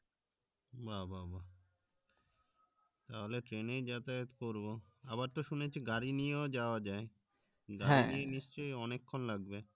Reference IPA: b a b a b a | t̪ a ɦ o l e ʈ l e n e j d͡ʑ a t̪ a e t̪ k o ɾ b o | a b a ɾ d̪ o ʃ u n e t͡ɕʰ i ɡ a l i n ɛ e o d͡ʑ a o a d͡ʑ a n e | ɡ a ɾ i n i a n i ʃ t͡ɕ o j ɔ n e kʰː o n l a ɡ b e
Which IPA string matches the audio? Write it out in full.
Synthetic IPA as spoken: b a b a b a | t̪ a ɦ o l e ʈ ɾ e n e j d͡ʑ a t̪ a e t̪ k o ɾ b o | a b a ɾ t̪ o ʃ u n e t͡ɕʰ i ɡ a ɾ i n i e o d͡ʑ a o a d͡ʑ a e | ɡ a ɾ i n i e n i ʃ t͡ɕ o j ɔ n e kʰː o n l a ɡ b e